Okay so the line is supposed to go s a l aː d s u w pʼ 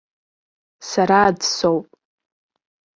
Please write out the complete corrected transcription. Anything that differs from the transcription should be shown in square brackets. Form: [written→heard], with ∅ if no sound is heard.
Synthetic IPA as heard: s a [l→ɾ] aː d s [u→o] w pʼ